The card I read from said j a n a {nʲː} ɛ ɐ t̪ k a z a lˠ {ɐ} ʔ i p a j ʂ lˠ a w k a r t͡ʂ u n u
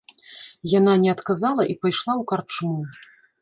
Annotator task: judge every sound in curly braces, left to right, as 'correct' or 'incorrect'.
incorrect, correct

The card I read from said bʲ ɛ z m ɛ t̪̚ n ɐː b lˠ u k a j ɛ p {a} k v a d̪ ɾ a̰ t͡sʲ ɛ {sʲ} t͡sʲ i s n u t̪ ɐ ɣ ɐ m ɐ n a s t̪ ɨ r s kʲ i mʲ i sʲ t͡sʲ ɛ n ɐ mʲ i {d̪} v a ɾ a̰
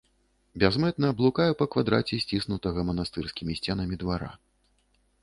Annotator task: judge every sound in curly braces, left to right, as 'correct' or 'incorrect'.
incorrect, correct, correct

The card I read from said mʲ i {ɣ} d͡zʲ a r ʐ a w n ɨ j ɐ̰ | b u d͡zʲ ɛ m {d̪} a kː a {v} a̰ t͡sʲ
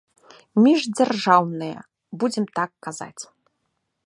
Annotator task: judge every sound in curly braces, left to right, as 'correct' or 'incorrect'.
incorrect, incorrect, incorrect

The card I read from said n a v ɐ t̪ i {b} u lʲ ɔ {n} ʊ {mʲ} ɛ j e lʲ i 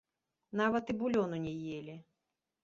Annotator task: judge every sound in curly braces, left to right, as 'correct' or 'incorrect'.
correct, correct, incorrect

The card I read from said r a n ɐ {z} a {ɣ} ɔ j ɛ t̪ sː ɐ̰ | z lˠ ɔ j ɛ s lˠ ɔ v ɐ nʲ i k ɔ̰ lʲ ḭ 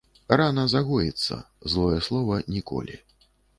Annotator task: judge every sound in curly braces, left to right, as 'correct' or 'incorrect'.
correct, correct

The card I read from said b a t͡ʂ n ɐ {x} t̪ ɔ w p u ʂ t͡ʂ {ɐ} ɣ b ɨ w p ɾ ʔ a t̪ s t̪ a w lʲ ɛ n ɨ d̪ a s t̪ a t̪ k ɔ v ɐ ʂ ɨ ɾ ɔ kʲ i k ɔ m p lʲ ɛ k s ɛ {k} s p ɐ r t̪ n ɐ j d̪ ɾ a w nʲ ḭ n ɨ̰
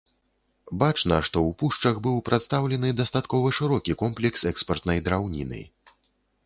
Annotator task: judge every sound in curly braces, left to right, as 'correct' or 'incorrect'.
incorrect, correct, correct

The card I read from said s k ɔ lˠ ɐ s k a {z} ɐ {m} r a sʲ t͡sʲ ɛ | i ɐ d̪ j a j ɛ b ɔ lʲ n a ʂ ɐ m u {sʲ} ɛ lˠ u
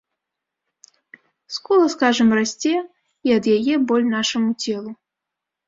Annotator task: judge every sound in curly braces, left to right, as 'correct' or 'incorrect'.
incorrect, correct, incorrect

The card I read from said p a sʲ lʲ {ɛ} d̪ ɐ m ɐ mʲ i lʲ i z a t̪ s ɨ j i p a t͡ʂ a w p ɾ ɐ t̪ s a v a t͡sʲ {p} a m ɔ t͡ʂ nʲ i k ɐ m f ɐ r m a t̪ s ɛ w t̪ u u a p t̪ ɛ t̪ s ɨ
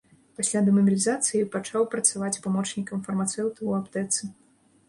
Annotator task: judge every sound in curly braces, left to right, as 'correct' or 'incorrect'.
incorrect, correct

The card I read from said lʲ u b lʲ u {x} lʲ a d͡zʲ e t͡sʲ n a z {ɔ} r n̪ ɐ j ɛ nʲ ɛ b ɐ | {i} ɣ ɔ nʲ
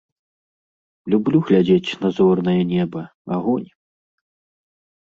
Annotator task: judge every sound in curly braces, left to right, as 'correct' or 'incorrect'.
incorrect, correct, incorrect

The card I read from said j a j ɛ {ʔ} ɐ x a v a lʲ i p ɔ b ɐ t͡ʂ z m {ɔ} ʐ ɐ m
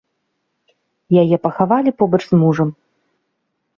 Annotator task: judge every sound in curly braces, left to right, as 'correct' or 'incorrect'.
incorrect, incorrect

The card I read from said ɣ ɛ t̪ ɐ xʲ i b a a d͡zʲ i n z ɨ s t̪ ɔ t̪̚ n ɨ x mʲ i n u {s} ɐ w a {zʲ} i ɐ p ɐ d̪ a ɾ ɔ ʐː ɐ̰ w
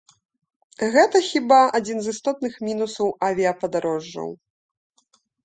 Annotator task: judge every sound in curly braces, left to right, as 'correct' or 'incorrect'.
correct, incorrect

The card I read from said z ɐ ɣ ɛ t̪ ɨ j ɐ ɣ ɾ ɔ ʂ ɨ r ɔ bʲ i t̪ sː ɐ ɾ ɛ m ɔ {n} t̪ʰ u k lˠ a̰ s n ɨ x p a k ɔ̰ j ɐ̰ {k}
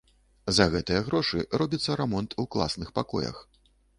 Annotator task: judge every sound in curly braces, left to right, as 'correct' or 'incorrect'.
correct, incorrect

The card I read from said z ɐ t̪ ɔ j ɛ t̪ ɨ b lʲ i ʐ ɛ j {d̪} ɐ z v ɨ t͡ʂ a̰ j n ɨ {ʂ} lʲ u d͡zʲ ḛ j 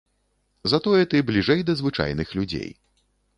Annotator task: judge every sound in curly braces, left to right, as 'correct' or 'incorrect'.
correct, incorrect

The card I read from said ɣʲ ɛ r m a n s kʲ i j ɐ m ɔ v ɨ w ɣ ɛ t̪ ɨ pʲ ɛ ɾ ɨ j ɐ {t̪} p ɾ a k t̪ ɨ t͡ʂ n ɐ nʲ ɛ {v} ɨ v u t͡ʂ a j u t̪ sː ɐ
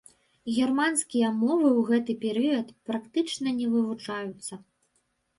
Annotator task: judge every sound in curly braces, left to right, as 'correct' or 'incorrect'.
correct, correct

